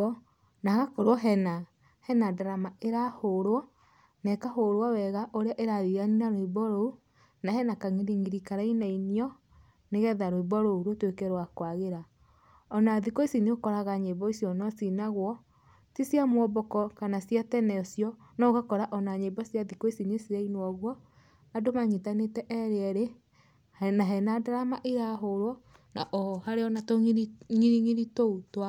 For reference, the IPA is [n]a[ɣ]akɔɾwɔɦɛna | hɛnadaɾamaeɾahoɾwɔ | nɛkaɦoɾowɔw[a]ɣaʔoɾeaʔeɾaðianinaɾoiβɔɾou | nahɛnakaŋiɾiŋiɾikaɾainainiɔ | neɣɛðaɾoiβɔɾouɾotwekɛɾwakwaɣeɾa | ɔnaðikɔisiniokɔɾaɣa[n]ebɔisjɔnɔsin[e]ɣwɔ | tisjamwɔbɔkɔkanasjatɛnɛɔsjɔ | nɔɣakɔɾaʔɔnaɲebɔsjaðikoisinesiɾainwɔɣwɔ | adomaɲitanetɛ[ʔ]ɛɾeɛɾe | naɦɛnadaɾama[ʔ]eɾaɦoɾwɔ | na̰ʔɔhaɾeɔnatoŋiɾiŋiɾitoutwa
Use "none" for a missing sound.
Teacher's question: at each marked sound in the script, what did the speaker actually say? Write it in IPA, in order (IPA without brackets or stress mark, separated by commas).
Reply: n, ɣ, ɛ, ɲ, a, ʔ, ʔ